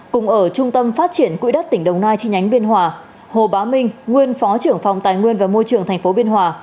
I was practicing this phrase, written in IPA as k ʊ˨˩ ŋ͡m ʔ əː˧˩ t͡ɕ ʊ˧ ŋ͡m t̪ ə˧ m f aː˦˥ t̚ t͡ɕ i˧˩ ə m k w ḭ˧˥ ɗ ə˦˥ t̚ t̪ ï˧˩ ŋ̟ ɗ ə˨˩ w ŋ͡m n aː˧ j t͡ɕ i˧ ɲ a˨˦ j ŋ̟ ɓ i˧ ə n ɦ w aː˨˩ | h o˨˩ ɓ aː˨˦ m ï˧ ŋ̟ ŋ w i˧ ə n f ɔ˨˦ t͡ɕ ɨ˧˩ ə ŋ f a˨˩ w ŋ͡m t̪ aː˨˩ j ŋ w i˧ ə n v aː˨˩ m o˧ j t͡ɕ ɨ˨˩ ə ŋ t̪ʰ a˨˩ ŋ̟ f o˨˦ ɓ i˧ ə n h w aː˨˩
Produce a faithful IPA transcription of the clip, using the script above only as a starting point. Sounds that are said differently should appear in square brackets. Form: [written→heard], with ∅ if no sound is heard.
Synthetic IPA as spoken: k ʊ˨˩ ŋ͡m ʔ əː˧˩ t͡ɕ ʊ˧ ŋ͡m t̪ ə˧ m f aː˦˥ t̚ t͡ɕ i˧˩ ə [m→n] k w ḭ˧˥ ɗ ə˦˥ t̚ t̪ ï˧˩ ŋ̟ ɗ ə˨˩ w ŋ͡m n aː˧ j t͡ɕ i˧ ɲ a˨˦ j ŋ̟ ɓ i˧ ə n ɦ w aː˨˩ | h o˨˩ ɓ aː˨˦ m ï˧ ŋ̟ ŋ w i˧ ə n f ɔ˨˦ t͡ɕ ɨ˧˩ ə ŋ f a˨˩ w ŋ͡m t̪ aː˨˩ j ŋ w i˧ ə n v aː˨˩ m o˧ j t͡ɕ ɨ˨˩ ə ŋ t̪ʰ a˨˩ ŋ̟ f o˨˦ ɓ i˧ ə n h w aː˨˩